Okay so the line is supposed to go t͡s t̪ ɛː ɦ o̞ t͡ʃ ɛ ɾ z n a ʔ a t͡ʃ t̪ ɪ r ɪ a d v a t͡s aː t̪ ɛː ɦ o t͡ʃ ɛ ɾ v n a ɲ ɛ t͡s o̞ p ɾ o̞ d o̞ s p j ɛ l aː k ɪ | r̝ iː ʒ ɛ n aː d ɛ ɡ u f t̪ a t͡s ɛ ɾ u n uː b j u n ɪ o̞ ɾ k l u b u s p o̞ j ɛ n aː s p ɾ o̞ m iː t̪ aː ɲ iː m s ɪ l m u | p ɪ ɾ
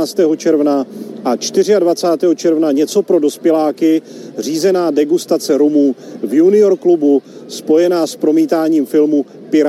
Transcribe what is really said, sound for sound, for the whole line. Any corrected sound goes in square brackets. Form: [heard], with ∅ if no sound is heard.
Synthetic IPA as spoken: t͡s t̪ ɛː ɦ o̞ t͡ʃ ɛ ɾ [v] n a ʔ a t͡ʃ t̪ ɪ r ɪ a d v a t͡s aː t̪ ɛː ɦ o t͡ʃ ɛ ɾ v n a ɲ ɛ t͡s o̞ p ɾ o̞ d o̞ s p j ɛ l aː k ɪ | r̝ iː [z] ɛ n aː d ɛ ɡ u [s] t̪ a t͡s ɛ ɾ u [m] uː [v] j u n ɪ o̞ ɾ k l u b u s p o̞ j ɛ n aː s p ɾ o̞ m iː t̪ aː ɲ iː m [f] ɪ l m u | p ɪ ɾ